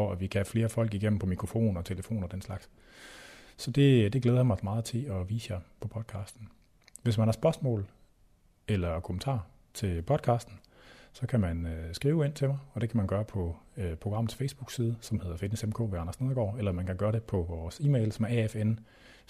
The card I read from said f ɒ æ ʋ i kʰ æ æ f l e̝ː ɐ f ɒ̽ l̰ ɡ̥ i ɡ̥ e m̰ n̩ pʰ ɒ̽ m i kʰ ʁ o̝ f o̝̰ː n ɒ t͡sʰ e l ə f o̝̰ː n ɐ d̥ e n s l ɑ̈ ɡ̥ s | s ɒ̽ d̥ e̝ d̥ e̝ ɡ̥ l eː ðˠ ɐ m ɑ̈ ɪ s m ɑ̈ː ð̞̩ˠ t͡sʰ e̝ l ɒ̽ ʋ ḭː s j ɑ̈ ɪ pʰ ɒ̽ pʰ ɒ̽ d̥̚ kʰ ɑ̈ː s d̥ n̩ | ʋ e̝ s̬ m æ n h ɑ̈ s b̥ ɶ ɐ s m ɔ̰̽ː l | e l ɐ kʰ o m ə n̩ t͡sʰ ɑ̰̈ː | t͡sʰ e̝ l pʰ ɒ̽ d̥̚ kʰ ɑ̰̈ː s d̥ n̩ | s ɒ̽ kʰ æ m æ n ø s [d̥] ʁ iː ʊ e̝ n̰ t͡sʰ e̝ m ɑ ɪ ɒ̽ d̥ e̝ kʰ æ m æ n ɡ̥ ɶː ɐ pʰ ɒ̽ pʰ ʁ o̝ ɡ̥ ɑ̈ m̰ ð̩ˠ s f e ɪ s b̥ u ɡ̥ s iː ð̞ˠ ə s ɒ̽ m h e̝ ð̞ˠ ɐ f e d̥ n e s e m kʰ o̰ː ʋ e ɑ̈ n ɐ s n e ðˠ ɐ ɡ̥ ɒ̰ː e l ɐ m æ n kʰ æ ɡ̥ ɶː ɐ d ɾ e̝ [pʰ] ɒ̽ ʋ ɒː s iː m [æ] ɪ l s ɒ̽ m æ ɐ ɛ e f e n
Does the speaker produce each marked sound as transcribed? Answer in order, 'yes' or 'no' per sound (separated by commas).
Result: no, yes, no